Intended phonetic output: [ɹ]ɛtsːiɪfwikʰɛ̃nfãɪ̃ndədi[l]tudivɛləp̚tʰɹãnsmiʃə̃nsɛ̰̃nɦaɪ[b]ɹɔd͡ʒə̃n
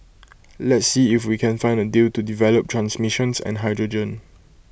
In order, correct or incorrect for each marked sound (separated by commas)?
incorrect, correct, incorrect